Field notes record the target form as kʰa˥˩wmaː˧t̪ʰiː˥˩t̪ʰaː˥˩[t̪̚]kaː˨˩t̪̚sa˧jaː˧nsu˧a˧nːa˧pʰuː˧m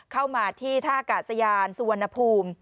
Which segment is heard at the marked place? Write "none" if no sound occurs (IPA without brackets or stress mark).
none